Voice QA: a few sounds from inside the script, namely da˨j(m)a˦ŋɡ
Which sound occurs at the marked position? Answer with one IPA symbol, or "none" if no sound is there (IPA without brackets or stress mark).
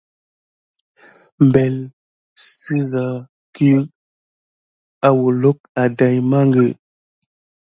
m